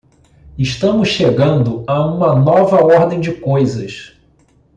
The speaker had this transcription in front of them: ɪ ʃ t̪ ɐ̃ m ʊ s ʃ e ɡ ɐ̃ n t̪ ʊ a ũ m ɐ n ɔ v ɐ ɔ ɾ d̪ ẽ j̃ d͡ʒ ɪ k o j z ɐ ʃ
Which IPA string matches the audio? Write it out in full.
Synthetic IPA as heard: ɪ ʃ t̪ ɐ̃ m ʊ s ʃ e ɡ ɐ̃ n d̪ ʊ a ũ m ɐ n ɔ v ɐ ɔ ɾ d̪ ẽ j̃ d͡ʒ ɪ k o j z ɐ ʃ